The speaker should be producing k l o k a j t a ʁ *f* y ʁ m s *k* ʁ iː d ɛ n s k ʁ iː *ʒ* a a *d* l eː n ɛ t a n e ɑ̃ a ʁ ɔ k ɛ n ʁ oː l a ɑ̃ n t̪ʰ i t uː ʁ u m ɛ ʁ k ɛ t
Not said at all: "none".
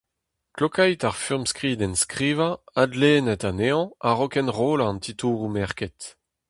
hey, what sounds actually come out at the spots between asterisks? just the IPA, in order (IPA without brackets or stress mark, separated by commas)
f, k, v, d